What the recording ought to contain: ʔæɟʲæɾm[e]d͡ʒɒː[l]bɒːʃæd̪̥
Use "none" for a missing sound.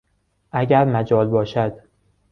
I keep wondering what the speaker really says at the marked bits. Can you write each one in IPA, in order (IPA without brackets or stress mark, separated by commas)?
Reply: æ, l